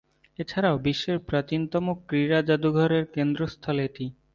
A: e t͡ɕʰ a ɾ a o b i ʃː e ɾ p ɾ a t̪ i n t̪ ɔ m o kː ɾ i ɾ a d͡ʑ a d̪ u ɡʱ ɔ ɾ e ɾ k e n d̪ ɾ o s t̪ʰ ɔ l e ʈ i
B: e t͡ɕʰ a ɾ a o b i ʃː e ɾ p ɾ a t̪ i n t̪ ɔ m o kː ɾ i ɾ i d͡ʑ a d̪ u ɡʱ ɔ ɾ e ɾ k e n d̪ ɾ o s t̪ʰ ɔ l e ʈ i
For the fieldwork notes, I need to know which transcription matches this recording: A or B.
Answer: A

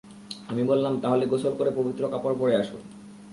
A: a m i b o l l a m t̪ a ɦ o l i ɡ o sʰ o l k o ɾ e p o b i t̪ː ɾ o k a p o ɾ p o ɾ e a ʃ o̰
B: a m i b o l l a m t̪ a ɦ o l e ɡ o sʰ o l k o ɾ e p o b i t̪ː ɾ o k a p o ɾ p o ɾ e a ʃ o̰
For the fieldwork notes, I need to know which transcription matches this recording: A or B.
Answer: B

